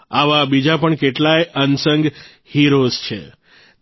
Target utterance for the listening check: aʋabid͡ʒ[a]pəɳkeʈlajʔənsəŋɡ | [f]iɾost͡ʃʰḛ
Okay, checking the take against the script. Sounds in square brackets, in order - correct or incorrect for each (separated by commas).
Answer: correct, incorrect